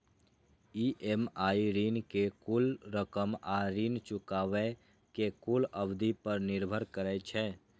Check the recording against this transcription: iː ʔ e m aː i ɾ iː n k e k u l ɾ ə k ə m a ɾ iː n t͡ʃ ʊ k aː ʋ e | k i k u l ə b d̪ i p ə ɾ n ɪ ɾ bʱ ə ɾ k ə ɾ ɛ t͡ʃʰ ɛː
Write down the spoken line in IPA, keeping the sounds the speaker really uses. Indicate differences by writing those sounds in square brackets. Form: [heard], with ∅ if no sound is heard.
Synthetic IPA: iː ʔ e m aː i ɾ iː n k e k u l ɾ ə k ə m a ɾ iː n t͡ʃ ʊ k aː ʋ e | k [e] k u l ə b d̪ i p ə ɾ n ɪ ɾ bʱ ə ɾ k ə ɾ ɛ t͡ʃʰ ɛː